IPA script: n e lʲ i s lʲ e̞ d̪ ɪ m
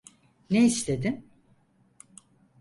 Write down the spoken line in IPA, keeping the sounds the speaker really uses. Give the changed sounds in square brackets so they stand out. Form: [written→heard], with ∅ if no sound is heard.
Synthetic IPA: n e [lʲ→∅] i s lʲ e̞ d̪ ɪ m